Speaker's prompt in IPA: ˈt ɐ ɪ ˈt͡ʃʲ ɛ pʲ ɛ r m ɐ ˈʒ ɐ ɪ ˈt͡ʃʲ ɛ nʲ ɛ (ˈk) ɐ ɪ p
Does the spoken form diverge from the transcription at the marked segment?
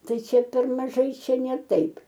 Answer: yes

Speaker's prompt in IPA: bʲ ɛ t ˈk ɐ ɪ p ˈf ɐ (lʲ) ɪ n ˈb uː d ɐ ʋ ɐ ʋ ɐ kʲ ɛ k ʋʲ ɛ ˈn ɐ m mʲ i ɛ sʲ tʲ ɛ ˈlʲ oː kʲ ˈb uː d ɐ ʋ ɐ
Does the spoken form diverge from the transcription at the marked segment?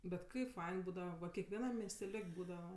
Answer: yes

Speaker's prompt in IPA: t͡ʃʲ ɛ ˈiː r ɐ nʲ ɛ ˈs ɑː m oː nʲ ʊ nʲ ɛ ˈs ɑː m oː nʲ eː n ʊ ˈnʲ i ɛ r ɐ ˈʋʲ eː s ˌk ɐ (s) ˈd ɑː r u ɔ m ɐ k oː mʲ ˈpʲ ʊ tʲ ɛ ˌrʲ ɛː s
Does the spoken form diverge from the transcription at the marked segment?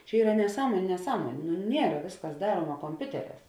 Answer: no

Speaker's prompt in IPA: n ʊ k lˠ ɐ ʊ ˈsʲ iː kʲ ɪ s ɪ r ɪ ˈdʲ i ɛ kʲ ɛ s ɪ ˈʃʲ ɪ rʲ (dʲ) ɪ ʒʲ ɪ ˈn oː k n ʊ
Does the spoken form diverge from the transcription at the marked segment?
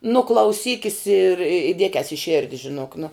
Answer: no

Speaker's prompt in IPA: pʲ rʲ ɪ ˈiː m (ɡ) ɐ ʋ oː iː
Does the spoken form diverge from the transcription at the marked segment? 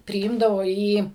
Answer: yes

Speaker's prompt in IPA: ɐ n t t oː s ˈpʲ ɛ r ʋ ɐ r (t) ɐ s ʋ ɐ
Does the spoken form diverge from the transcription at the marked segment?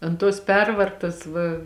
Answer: no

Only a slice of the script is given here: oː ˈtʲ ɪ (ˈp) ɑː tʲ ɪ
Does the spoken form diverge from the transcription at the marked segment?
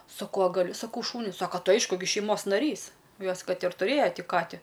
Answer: yes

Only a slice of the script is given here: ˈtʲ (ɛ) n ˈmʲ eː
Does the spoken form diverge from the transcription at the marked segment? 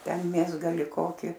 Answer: no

